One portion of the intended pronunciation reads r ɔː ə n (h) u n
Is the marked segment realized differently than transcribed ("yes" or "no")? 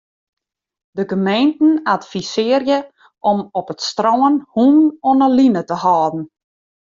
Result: no